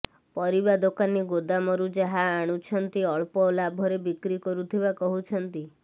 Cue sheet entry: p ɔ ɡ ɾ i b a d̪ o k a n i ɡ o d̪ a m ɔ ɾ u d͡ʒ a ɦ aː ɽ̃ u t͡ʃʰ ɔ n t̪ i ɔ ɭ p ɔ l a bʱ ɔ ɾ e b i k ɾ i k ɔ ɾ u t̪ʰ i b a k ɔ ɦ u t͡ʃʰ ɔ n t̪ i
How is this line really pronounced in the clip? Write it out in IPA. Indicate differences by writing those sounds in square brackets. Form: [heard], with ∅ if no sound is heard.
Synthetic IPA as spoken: p ɔ [∅] ɾ i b a d̪ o k a n i ɡ o d̪ a m ɔ ɾ u d͡ʒ a ɦ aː ɽ̃ u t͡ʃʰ ɔ n t̪ i ɔ ɭ p ɔ l a bʱ ɔ ɾ e b i k ɾ i k ɔ ɾ u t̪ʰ i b a k ɔ ɦ u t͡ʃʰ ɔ n t̪ i